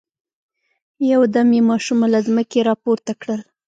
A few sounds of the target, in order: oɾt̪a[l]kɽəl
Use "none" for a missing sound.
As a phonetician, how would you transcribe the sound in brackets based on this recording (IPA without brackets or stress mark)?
none